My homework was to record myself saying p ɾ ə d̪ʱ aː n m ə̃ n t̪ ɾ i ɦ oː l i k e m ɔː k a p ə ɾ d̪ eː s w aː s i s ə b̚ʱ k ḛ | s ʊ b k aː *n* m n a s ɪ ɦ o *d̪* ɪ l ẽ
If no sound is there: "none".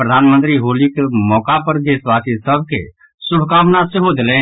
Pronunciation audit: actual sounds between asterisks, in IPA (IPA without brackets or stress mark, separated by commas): none, d̪